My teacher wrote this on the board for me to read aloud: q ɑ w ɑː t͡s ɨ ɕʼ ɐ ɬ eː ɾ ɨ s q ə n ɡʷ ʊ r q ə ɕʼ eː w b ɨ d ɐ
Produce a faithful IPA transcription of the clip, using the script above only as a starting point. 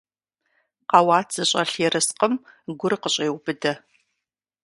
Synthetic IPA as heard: q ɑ w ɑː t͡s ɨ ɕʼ ɐ ɬ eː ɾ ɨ s q ə m ɡʷ ʊ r q ə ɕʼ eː w b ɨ d ɐ